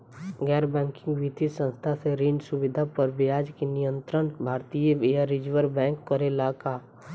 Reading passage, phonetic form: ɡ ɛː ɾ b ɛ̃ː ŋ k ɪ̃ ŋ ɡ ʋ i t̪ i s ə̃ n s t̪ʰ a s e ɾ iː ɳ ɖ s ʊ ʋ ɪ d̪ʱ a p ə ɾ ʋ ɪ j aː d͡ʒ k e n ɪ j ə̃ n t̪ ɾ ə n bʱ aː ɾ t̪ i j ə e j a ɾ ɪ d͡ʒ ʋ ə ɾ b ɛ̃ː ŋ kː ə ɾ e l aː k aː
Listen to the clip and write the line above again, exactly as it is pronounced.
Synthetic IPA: ɡ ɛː ɾ b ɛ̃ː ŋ k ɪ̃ ŋ ɡ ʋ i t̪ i s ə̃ n s t̪ʰ a s e ɾ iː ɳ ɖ s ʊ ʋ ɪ d̪ʱ a p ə ɾ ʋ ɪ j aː d͡ʒ k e n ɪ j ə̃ n t̪ ɾ ə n bʱ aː ɾ t̪ i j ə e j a ɾ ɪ d͡ʒ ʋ ə ɾ b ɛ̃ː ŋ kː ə ɾ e l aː k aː